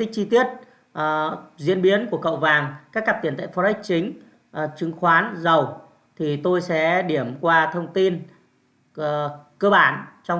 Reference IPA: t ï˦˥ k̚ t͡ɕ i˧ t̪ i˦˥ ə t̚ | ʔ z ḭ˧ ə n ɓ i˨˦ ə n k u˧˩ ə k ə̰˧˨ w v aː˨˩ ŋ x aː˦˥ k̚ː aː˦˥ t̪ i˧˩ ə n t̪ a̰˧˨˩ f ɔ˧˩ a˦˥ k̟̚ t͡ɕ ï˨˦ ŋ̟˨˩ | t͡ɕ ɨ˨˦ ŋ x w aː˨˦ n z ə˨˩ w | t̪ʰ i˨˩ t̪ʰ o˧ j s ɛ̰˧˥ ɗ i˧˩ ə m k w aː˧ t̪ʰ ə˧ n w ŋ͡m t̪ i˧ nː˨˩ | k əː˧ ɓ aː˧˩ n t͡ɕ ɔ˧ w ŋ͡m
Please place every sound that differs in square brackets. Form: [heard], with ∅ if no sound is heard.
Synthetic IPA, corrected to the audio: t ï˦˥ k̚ t͡ɕ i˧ t̪ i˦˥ ə t̚ | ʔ z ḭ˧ ə n ɓ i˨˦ ə n k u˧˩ ə k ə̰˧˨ w v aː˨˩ ŋ [k] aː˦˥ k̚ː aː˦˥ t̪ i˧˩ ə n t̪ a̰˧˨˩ f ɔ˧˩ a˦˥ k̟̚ t͡ɕ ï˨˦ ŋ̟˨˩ | t͡ɕ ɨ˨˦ ŋ x w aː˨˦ n z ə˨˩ w | t̪ʰ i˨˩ [t̪] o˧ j s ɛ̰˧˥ ɗ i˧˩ ə m k w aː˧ t̪ʰ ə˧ [∅] w ŋ͡m t̪ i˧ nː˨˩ | k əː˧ ɓ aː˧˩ n t͡ɕ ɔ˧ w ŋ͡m